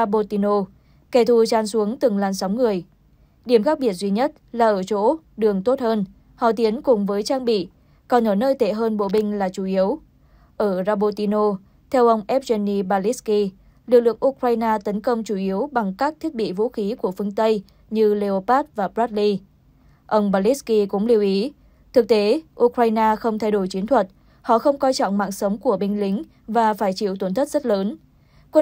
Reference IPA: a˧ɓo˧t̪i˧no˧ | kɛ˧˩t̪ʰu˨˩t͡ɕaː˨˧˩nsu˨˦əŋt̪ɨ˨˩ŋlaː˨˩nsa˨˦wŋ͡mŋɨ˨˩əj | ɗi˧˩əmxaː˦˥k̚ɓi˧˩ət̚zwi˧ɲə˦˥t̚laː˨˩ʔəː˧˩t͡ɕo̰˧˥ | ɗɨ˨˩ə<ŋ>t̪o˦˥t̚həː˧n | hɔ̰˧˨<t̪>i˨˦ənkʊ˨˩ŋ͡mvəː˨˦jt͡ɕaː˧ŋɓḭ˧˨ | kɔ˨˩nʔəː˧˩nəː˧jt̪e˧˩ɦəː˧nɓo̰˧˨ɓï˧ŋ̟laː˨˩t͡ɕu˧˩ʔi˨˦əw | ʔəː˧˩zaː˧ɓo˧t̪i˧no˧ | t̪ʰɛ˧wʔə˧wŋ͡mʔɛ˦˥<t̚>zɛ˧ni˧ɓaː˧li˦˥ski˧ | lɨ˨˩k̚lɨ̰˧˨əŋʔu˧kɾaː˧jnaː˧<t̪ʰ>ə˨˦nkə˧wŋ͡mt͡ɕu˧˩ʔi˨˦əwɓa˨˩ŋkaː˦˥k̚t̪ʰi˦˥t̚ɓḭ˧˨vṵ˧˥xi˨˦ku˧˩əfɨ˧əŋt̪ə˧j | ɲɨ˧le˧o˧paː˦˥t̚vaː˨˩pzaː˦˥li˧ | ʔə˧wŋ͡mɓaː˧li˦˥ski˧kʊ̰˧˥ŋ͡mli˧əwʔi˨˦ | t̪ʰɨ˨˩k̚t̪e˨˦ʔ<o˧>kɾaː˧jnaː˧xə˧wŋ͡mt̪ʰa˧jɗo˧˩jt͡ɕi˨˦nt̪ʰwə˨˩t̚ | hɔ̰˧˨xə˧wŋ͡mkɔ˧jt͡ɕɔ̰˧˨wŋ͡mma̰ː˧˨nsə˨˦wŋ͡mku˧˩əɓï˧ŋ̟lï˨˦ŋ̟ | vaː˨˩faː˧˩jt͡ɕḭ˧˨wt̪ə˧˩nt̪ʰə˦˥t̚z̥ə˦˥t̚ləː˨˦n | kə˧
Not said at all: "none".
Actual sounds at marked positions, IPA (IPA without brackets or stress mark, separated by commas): ŋ, t̪, p̚, t̪, u˧